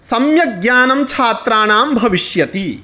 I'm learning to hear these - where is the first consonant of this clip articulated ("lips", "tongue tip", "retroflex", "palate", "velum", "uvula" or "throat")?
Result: tongue tip